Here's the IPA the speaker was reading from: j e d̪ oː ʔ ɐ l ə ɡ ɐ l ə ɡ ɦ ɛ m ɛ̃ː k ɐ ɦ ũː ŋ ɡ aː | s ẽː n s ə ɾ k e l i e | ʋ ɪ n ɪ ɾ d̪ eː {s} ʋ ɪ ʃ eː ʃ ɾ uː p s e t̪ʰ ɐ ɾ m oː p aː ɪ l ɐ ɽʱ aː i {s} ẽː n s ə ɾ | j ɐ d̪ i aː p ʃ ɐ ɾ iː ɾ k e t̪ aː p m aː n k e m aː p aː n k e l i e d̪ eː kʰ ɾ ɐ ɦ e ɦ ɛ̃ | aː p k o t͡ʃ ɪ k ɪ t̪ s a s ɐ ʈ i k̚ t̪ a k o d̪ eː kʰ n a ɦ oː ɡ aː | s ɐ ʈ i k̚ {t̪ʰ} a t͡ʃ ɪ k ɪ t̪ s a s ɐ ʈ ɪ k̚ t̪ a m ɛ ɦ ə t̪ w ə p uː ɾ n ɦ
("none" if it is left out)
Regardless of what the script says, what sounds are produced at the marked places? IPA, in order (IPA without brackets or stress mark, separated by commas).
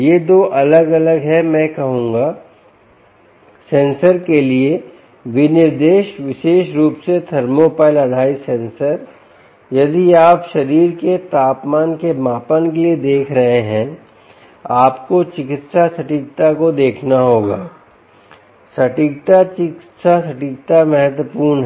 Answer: ʃ, s, t̪